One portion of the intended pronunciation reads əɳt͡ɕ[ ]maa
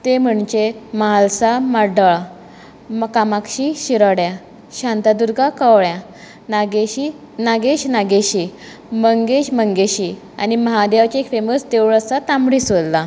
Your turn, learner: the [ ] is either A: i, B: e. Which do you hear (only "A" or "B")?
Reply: B